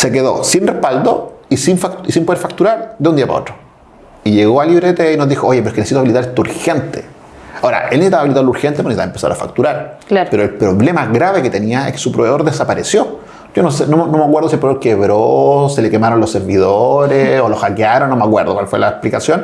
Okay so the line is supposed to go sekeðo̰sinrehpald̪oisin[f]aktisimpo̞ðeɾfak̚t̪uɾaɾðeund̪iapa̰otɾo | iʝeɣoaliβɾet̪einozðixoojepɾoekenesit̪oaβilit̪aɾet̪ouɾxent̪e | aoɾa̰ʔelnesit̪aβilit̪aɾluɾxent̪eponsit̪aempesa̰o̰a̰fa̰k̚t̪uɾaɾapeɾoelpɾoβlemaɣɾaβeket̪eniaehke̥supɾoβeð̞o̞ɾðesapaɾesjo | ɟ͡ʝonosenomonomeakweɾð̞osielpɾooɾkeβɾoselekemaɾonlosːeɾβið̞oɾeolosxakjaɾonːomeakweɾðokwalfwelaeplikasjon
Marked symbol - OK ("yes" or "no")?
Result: yes